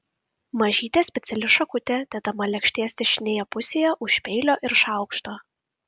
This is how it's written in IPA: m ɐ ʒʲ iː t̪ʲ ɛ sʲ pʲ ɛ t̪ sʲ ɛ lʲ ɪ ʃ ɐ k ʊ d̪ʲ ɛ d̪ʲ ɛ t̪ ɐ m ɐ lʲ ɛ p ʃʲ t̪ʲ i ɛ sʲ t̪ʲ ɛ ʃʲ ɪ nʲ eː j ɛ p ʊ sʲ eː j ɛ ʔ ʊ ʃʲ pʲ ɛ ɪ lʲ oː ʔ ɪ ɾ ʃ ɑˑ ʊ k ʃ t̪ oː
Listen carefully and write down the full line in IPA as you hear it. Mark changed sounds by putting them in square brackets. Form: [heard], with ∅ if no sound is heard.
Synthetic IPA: m ɐ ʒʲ iː t̪ʲ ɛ sʲ pʲ ɛ t̪ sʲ ɛ lʲ ɪ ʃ ɐ k ʊ [t̪ʲ] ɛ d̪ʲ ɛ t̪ ɐ m ɐ lʲ ɛ [k] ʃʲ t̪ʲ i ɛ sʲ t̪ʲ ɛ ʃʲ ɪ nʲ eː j ɛ p ʊ sʲ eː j ɛ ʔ ʊ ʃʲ pʲ ɛ ɪ lʲ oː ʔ ɪ ɾ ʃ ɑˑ ʊ k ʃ t̪ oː